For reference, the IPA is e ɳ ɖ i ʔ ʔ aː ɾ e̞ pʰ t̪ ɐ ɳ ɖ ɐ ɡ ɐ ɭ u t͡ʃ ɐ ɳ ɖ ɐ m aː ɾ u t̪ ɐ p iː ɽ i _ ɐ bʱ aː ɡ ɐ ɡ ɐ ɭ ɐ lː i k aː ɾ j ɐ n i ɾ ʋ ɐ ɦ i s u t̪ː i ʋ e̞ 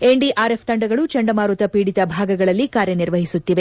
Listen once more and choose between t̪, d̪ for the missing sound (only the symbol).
t̪